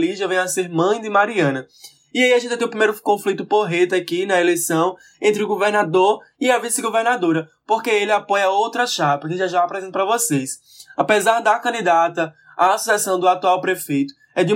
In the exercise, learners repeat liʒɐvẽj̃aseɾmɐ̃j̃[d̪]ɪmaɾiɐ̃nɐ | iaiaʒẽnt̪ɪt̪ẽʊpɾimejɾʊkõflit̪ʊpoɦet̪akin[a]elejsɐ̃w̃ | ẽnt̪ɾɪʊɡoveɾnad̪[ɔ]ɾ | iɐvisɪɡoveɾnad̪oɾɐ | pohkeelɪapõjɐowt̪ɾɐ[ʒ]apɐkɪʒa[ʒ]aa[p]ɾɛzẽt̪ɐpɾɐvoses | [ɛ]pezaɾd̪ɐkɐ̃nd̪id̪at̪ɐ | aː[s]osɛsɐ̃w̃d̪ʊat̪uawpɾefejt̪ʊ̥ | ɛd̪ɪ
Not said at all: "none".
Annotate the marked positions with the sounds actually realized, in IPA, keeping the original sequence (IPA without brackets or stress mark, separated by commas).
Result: d̪, ɐ, o, ʃ, ʒ, p, a, s